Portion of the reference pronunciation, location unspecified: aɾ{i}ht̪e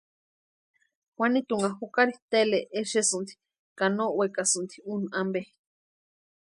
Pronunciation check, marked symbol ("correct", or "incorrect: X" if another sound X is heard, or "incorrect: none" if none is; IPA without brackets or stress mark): correct